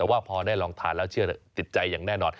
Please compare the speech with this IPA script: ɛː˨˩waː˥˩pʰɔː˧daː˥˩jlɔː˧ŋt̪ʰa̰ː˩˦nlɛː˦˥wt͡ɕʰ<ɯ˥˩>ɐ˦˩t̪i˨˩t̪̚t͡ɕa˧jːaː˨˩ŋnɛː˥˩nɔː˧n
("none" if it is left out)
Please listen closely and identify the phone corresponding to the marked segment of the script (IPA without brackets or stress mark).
ɯ˥˩